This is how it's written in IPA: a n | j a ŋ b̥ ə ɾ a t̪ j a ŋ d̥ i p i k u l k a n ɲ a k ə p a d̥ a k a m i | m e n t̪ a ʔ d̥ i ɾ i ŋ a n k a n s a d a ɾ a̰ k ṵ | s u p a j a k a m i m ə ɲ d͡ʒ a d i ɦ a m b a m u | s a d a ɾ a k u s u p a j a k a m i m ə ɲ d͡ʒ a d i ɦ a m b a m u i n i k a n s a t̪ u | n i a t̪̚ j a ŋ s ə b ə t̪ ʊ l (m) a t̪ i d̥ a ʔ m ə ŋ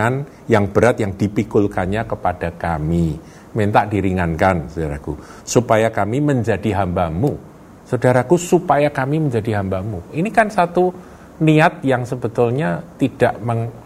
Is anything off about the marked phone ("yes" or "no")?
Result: yes